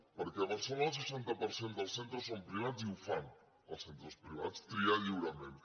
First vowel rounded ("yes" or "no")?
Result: no